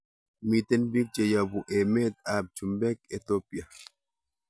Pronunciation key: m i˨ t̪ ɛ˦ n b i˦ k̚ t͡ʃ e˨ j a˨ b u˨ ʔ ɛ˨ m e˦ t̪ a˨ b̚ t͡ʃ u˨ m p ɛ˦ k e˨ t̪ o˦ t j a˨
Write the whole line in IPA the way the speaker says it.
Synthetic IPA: m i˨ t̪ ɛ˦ n b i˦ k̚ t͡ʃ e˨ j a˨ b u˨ ʔ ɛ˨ m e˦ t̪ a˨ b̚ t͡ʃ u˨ m b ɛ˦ k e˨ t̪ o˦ p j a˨